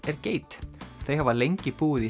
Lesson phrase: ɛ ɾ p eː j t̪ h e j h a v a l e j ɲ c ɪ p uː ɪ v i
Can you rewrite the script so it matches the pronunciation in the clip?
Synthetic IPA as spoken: ɛ ɾ c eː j t̪ θ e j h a v a l e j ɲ c ɪ p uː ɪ ð i